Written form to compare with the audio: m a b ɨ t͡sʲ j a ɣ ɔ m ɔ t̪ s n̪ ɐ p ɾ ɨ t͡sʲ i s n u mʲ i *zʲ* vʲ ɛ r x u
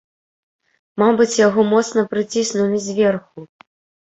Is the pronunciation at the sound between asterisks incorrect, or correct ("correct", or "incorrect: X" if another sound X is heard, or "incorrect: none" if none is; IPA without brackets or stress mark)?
correct